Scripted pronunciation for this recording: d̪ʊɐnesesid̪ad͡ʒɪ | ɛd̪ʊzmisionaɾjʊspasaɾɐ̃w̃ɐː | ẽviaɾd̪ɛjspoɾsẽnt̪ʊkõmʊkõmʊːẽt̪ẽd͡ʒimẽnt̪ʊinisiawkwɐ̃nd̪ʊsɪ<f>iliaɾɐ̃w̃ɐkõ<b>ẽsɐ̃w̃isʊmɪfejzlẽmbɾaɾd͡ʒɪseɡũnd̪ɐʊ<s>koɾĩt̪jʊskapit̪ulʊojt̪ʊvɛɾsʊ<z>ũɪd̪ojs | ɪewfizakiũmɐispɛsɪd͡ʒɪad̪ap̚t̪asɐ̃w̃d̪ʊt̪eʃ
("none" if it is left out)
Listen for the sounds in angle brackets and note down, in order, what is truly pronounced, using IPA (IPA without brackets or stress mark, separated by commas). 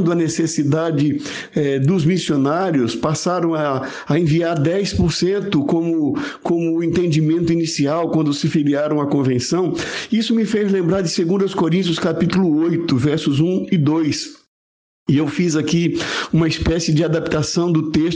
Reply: f, v, s, z